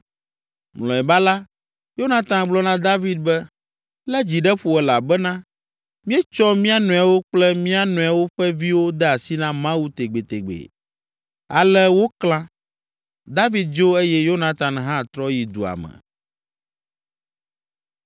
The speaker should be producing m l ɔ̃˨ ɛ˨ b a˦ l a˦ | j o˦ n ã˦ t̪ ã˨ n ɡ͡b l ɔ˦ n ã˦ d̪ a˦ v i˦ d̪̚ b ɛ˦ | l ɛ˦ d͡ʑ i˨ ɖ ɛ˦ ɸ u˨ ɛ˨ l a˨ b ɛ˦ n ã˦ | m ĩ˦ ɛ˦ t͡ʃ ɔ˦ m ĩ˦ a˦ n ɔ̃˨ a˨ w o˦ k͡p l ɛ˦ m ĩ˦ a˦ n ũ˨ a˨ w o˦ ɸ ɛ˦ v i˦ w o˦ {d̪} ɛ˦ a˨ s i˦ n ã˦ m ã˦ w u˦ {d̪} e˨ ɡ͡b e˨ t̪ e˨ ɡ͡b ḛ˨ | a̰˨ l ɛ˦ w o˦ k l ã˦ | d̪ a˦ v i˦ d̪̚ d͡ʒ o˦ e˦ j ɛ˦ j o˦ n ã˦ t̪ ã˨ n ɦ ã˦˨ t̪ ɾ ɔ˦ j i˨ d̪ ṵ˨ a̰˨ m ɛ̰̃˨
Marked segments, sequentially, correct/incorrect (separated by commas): correct, incorrect